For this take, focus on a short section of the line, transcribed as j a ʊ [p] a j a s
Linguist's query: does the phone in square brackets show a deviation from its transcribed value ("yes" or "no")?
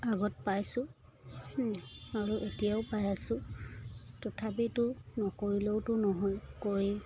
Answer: no